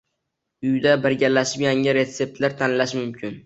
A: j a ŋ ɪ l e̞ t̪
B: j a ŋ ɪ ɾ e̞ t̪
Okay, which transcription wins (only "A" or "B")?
B